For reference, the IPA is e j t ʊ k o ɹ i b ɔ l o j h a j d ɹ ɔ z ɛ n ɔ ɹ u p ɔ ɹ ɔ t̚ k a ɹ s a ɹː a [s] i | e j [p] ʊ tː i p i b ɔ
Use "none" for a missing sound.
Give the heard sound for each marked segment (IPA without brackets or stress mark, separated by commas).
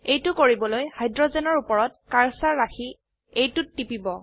x, t